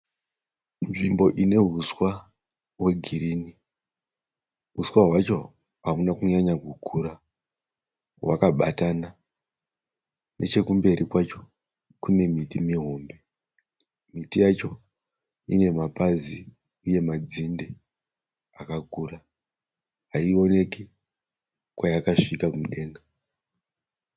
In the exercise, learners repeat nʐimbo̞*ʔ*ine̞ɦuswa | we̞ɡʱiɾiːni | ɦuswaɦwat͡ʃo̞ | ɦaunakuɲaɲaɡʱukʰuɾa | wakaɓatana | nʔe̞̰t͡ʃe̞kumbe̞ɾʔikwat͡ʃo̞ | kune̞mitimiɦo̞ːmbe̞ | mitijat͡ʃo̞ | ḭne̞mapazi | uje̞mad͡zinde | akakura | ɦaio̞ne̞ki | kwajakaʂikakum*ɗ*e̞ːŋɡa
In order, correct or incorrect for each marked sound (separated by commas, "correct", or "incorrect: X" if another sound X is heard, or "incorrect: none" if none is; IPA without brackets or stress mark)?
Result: correct, correct